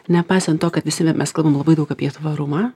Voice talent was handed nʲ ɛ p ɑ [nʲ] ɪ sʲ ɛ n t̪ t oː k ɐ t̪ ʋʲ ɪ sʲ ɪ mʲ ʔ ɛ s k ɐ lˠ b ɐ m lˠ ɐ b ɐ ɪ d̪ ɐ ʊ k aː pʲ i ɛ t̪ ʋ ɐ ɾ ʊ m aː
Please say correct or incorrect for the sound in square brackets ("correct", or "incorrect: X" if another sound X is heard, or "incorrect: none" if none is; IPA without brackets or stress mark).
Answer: incorrect: none